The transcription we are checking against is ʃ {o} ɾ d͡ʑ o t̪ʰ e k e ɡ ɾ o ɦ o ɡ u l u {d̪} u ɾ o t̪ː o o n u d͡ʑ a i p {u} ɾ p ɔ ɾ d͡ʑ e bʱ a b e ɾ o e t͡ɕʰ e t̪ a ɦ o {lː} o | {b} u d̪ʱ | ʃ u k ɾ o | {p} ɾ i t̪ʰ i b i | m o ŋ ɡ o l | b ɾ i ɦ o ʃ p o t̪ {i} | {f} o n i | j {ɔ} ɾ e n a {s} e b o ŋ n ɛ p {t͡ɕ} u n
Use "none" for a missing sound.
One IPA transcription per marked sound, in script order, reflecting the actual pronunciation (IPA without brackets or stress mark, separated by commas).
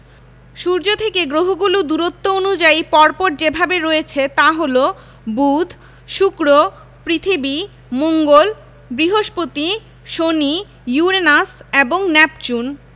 u, d̪, ɔ, l, b, p, i, ʃ, u, s, t͡ɕ